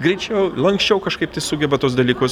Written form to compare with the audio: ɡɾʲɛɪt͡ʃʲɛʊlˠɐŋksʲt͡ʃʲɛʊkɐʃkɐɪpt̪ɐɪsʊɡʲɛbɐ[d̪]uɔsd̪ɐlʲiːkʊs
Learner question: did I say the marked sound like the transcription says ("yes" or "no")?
no